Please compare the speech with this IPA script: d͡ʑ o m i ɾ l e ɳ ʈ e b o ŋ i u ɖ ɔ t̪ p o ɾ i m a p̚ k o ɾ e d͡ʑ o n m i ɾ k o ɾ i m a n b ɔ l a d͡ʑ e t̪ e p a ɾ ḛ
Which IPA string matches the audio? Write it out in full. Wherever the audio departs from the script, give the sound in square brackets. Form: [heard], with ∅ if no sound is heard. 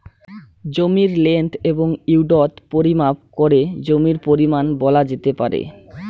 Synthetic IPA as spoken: d͡ʑ o m i ɾ l e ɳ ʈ e b o ŋ i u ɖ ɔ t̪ p o ɾ i m a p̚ k o ɾ e d͡ʑ o [∅] m i ɾ [p] o ɾ i m a n b ɔ l a d͡ʑ e t̪ e p a ɾ ḛ